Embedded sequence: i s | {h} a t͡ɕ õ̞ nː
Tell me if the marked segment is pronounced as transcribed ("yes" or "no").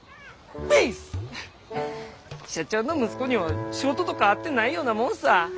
no